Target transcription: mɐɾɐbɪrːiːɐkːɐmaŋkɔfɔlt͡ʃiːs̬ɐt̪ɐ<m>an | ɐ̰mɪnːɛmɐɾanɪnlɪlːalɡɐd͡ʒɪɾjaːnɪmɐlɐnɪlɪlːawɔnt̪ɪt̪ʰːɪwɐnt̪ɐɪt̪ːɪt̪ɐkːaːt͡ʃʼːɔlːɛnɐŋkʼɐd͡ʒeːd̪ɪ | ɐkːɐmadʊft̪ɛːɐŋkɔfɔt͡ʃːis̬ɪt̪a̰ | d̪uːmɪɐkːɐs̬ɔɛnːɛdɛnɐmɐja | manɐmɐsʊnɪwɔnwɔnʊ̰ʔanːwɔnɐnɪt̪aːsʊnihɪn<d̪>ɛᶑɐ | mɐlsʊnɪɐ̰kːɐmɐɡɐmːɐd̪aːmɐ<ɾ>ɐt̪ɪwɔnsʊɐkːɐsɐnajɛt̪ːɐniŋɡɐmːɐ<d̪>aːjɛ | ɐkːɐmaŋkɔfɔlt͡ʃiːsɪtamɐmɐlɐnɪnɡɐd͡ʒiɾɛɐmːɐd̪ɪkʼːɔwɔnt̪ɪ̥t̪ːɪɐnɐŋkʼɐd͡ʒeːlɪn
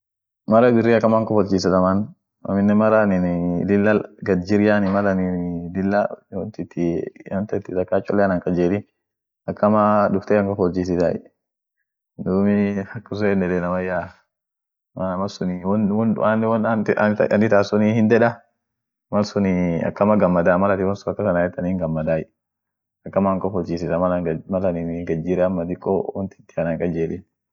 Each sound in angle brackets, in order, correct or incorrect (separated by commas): correct, correct, incorrect, correct